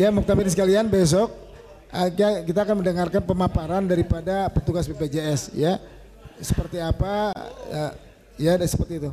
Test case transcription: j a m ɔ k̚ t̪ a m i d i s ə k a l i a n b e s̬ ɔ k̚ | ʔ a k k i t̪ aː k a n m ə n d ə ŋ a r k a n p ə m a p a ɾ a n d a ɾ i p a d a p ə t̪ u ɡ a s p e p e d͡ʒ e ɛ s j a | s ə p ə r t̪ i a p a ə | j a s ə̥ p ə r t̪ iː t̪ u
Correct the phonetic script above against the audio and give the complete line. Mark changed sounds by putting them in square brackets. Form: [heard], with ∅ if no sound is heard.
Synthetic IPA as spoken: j a m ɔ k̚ t̪ a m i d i s ə k a l i a n b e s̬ ɔ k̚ | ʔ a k k i t̪ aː k a n m ə n d ə ŋ a r k a n p ə m a p a ɾ a n d a ɾ i p a d a p ə t̪ u ɡ a s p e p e d͡ʒ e ɛ s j a | s ə p ə r t̪ i a p a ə | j a s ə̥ p ə r t̪ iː t̪ u